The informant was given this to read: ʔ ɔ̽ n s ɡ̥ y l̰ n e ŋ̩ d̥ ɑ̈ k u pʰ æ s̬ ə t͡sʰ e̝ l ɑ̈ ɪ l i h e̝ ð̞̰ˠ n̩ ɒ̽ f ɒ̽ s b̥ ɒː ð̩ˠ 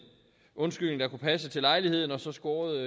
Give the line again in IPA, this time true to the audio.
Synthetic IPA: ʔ ɔ̽ n s ɡ̥ y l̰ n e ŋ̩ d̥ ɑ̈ k u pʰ æ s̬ ə t͡sʰ e̝ l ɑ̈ ɪ l i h e̝ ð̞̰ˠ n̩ ɒ̽ s ɒ̽ s ɡ̥ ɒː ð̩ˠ